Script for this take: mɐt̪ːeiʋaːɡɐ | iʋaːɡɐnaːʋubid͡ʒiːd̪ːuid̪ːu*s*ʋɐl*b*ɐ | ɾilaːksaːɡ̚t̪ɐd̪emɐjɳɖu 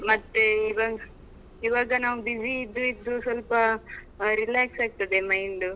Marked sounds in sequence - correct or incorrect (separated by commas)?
correct, incorrect